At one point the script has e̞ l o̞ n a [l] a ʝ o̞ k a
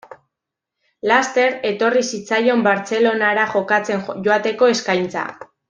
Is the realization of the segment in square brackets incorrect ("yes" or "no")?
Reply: yes